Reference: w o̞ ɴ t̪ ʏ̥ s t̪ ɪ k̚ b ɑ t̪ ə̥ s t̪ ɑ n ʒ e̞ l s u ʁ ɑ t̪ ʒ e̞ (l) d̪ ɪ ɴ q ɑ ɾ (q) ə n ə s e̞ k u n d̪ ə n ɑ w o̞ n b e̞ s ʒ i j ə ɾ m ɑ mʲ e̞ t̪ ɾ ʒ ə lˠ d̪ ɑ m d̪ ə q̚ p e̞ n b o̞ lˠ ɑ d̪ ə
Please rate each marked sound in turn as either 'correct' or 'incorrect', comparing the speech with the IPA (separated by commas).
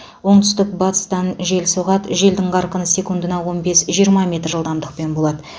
correct, correct